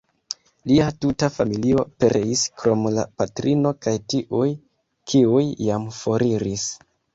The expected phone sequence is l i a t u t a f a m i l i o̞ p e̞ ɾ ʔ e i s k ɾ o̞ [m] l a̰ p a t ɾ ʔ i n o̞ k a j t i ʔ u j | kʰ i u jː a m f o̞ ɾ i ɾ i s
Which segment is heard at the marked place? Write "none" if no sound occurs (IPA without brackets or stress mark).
m